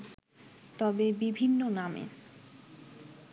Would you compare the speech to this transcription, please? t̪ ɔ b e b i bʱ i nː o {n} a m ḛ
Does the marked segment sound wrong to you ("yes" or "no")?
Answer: no